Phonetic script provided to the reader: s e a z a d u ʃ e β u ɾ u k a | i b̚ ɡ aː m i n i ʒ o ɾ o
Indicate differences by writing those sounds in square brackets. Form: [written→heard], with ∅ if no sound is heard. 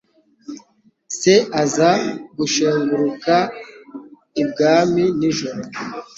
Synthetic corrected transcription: s e a z a [d→ɡ] u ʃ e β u ɾ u k a | i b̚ ɡ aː m i n i ʒ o ɾ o